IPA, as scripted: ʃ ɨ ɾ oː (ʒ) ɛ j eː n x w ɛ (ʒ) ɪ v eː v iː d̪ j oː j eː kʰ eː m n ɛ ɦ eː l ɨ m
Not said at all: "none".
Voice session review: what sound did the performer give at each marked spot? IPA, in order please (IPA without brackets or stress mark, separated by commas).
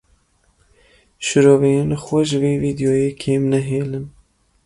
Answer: v, ʒ